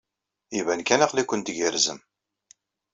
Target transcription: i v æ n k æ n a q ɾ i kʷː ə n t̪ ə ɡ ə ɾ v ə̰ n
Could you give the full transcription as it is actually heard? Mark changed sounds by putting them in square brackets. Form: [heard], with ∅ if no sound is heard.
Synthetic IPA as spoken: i v æ n k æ n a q [l] i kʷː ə n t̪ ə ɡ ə ɾ [z] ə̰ [m]